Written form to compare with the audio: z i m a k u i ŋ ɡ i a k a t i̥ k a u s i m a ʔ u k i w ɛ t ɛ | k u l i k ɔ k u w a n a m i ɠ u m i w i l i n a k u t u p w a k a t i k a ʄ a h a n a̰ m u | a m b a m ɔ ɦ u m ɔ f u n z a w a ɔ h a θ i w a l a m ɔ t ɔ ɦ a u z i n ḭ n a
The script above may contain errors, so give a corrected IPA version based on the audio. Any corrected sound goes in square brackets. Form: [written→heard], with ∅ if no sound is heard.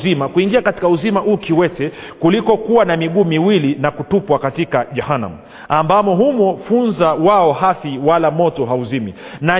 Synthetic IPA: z i m a k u i ŋ ɡ i a k a t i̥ k a u [s→z] i m a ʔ u k i w ɛ t ɛ | k u l i k ɔ k u w a n a m i ɠ [u→uː] m i w i l i n a k u t u p w a k a t i k a ʄ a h a n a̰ m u | a m b a m ɔ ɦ u m ɔ f u n z a w a ɔ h a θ i w a l a m ɔ t ɔ ɦ a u z i [n→m] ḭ n a